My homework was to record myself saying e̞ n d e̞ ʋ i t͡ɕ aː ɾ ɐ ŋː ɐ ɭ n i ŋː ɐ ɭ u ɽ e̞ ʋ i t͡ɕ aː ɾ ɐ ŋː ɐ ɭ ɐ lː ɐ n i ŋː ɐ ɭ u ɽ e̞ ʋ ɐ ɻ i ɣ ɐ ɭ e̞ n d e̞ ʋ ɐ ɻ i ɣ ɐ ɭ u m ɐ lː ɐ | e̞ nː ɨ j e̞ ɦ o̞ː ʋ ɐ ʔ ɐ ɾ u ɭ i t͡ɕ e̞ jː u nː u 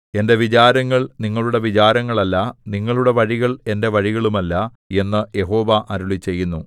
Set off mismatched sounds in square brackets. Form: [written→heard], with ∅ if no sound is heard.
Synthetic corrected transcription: e̞ n d e̞ ʋ i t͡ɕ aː ɾ ɐ ŋː ɐ ɭ n i ŋː ɐ ɭ u ɽ e̞ ʋ i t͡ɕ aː ɾ ɐ ŋː ɐ ɭ ɐ lː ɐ n i ŋː ɐ ɭ u ɽ e̞ ʋ ɐ ɻ i ɣ ɐ ɭ e̞ n d e̞ ʋ ɐ ɻ i ɣ ɐ ɭ u m ɐ lː ɐ | e̞ nː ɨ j e̞ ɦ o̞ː ʋ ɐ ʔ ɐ ɾ u ɭ i t͡ɕ e̞ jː u nː u